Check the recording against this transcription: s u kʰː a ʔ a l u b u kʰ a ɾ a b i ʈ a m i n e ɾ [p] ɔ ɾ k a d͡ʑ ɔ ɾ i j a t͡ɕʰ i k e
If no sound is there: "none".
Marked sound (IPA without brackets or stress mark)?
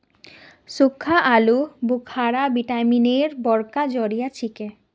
b